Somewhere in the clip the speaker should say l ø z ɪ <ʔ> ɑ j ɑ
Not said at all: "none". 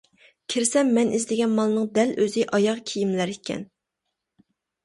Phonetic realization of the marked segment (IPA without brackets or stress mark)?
ʔ